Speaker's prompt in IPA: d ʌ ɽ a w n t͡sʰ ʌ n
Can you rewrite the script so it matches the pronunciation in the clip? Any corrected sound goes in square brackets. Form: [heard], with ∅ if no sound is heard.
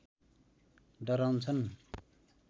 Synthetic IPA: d ʌ [ɾ] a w n t͡sʰ ʌ n